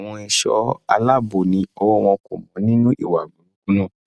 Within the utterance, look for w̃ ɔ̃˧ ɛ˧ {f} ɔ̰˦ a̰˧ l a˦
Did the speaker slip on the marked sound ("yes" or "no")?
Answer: yes